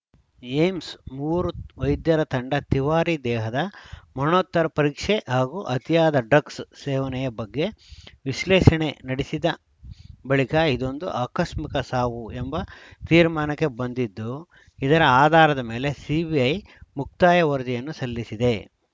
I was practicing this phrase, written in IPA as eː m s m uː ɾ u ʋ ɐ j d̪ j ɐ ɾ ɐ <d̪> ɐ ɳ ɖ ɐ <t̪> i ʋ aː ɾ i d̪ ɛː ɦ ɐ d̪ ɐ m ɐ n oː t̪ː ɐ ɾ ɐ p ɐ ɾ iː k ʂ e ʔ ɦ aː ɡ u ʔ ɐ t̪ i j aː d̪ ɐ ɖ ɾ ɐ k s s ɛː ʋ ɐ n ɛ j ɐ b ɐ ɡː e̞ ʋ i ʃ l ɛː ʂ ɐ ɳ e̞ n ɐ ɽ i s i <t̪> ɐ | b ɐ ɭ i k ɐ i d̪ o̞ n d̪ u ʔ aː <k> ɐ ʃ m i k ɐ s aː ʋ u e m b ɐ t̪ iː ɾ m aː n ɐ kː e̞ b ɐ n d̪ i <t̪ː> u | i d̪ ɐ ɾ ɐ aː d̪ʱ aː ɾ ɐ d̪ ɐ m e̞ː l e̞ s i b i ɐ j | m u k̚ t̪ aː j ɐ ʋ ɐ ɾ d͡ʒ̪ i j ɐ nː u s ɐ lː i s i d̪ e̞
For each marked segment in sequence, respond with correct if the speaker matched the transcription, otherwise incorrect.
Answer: incorrect: t̪, correct, incorrect: d̪, correct, incorrect: d̪ː

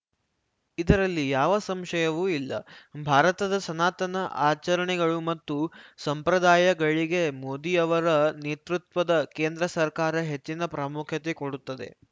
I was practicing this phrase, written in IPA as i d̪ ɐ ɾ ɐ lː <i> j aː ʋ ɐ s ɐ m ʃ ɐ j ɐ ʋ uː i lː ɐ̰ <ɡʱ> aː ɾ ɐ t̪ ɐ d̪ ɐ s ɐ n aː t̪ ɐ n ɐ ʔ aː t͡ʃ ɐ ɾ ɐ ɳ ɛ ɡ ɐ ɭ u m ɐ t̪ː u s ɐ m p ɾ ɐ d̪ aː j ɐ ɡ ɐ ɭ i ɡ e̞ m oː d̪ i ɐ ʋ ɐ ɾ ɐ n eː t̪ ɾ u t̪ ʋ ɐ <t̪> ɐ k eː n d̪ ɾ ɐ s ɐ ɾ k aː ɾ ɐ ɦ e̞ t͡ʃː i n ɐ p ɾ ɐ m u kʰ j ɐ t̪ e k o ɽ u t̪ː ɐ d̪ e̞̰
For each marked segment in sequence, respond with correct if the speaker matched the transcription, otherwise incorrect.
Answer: correct, incorrect: bʱ, incorrect: d̪

